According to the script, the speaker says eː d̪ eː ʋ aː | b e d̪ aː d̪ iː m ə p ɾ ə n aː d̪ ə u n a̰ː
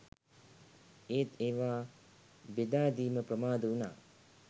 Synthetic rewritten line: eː t̪ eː ʋ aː | b e d̪ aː d̪ iː m ə p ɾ ə m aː d̪ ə u n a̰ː